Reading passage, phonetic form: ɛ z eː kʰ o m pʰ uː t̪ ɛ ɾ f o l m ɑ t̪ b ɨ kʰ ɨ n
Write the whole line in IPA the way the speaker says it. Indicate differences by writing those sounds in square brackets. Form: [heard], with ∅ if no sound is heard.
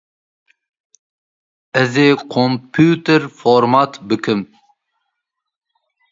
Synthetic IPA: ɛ z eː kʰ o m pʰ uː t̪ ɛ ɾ f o [ɾ] m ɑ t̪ b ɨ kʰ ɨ [m]